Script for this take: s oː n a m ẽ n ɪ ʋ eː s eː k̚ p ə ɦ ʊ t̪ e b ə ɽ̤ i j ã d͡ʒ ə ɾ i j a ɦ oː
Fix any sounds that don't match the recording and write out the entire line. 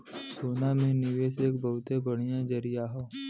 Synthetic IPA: s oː n a m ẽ n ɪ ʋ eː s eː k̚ b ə ɦ ʊ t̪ e b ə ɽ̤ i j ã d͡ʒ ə ɾ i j a ɦ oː